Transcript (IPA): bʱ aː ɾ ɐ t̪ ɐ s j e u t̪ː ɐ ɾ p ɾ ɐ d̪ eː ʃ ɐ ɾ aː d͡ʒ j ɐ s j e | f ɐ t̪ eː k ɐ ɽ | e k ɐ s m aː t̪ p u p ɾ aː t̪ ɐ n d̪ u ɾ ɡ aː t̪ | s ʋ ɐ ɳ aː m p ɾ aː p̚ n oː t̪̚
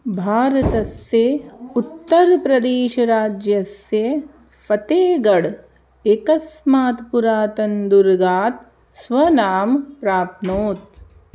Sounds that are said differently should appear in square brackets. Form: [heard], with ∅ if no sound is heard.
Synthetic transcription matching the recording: bʱ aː ɾ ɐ t̪ ɐ s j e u t̪ː ɐ ɾ p ɾ ɐ d̪ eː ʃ ɐ ɾ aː d͡ʒ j ɐ s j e | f ɐ t̪ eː [ɡ] ɐ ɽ | e k ɐ s m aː t̪ p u [∅] ɾ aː t̪ ɐ n d̪ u ɾ ɡ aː t̪ | s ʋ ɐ [n] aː m p ɾ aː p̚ n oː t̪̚